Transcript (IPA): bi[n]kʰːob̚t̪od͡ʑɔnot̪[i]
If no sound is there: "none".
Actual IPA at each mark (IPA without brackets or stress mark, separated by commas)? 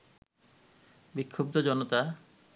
none, a